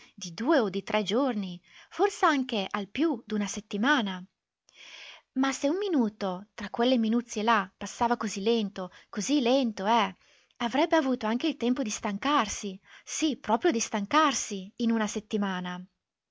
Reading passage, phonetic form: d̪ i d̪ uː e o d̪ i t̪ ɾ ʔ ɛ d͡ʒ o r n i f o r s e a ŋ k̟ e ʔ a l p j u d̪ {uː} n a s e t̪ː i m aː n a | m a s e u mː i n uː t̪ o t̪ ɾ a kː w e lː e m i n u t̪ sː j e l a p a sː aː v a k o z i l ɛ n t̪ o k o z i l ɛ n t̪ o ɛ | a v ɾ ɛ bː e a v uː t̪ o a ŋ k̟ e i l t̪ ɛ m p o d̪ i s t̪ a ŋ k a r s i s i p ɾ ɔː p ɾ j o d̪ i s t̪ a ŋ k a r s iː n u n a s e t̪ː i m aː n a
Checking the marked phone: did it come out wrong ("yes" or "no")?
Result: yes